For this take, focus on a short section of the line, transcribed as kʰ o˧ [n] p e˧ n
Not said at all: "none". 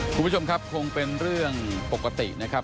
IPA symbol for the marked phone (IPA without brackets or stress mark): ŋ